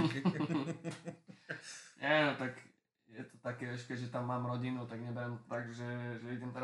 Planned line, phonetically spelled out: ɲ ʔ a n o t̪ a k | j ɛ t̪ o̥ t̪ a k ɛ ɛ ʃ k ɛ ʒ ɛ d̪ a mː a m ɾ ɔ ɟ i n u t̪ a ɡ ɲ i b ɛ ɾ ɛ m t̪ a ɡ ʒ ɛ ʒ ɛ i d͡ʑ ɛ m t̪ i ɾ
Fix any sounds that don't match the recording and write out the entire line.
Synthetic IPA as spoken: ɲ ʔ ɛ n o t̪ a k | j ɛ t̪ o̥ t̪ a k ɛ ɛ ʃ k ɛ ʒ ɛ t̪ a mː a m ɾ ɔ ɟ i n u t̪ a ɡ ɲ ɛ b ɛ ɾ ɛ m t̪ a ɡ ʒ ɛ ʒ ɛ i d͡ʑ ɛ m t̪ ɛ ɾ